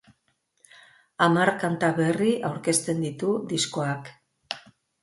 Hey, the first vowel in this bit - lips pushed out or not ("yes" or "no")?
no